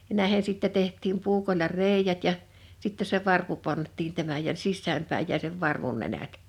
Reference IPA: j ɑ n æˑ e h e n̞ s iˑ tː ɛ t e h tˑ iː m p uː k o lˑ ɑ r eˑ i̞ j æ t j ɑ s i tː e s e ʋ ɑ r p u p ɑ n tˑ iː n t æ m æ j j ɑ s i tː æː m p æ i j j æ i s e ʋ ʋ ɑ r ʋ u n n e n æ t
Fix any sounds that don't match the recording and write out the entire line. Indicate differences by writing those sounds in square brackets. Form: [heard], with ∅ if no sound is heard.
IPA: j ɑ n æˑ e h e n̞ s iˑ tː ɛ t e h tˑ iː m p uː k o lˑ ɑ r eˑ i̞ j æ t j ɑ s i tː e s e ʋ ɑ r p u p ɑ n tˑ iː n t æ m æ j j ɑ s i [sː] æː m p æ i j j æ i s e ʋ ʋ ɑ r ʋ u n n e n æ t